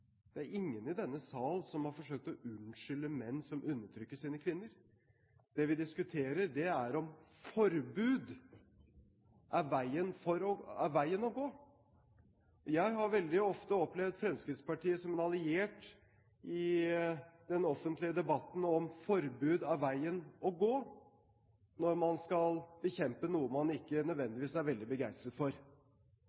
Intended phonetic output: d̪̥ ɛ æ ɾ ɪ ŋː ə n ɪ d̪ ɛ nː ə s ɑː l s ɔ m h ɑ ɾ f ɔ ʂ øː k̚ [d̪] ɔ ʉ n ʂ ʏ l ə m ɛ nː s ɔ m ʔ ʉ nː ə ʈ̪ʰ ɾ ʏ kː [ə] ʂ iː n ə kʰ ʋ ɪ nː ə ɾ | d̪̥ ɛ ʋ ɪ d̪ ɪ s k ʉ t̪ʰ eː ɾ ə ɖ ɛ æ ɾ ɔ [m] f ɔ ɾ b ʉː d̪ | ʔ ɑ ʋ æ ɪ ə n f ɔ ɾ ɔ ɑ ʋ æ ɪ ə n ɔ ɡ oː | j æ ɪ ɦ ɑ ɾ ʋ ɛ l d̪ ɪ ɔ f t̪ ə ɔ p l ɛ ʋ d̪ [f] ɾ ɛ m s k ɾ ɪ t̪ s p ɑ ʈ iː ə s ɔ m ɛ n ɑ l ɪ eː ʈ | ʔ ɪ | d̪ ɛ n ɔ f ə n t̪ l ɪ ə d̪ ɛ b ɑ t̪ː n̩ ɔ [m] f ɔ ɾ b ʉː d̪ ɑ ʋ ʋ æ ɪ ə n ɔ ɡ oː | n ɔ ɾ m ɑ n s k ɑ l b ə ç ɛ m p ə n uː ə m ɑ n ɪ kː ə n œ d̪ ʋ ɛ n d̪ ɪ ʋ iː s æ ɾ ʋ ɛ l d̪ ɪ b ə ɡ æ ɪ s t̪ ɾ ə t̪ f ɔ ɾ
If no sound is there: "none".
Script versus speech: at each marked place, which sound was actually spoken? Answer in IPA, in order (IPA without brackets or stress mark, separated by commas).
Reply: t̪, ə, m, f, m